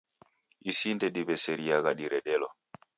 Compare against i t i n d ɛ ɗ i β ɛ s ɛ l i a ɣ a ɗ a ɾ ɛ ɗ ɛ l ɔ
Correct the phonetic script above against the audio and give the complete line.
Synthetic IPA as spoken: i s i n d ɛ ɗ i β ɛ s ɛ ɾ i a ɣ a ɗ i ɾ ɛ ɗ ɛ l ɔ